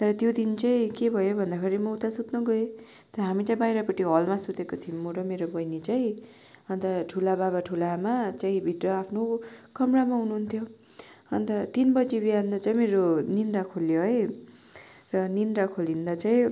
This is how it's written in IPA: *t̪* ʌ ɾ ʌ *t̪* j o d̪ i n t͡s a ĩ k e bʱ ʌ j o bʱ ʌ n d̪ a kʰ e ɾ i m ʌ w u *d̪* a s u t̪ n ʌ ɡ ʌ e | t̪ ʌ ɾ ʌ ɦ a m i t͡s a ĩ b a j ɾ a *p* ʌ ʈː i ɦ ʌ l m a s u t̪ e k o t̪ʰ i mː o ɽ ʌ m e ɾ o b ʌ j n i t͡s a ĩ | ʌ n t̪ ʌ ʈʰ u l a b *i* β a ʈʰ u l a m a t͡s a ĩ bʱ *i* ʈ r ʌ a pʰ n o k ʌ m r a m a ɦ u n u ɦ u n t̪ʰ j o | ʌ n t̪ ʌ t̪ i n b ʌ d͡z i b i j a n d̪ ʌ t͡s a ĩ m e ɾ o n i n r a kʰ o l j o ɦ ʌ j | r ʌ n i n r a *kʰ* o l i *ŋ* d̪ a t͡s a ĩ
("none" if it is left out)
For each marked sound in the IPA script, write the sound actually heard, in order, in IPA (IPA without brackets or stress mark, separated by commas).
t̪, t̪, t̪, p, a, i, kʰ, n